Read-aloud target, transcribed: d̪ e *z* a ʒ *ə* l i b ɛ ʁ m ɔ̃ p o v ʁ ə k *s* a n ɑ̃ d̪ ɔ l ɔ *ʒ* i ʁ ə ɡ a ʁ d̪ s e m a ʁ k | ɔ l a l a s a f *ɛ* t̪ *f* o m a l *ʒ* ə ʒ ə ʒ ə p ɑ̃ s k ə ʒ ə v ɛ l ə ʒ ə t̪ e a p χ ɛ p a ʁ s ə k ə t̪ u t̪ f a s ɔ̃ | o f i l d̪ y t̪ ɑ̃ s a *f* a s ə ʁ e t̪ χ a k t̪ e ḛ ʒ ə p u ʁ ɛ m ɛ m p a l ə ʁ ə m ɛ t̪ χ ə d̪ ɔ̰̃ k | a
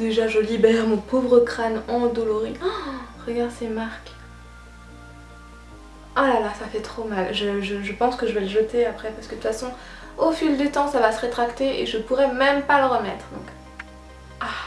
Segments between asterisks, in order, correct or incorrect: incorrect: ʒ, correct, incorrect: χ, incorrect: ʁ, correct, incorrect: χ, correct, incorrect: v

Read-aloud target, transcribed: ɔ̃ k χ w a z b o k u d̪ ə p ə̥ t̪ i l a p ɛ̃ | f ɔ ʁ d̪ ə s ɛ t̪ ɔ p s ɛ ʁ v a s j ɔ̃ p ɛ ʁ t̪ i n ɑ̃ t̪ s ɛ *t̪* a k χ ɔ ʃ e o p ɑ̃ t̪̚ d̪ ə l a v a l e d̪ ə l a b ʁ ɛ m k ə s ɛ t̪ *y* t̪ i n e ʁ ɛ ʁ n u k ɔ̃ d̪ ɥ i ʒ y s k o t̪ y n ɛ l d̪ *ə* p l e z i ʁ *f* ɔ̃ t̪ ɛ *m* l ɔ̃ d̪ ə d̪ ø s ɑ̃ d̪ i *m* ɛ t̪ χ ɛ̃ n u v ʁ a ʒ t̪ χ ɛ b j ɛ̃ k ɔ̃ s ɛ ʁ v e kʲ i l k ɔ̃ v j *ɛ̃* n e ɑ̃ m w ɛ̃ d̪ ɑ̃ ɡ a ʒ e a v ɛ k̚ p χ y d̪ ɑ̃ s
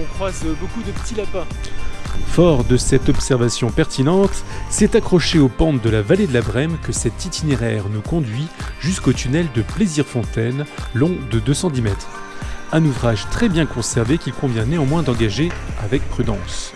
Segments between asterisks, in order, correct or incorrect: correct, incorrect: i, correct, correct, incorrect: n, correct, correct

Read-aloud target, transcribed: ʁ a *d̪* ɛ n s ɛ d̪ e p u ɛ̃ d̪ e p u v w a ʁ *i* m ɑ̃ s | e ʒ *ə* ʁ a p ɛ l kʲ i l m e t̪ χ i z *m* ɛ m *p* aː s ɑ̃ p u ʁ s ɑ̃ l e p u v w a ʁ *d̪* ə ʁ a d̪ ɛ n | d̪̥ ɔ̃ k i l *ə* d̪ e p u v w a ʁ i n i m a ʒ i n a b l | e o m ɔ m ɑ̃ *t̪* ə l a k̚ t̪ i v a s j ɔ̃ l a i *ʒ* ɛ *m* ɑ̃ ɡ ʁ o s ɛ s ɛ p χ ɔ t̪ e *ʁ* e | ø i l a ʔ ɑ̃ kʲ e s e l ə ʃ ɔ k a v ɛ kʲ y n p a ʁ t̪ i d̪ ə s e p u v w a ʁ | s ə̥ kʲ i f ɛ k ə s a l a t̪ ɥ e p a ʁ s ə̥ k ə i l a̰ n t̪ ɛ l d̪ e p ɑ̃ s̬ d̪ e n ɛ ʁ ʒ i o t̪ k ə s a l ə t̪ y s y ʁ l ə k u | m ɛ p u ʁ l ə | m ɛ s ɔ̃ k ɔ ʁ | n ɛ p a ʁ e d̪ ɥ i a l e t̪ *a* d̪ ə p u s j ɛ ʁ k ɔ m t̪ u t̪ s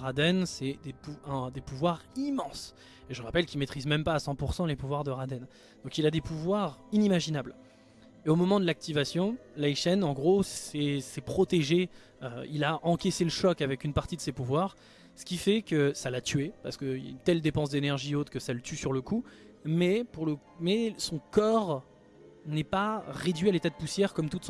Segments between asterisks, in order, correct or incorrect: correct, correct, correct, correct, correct, correct, incorrect: a, incorrect: d̪, incorrect: ʃ, incorrect: n, incorrect: ʒ, correct

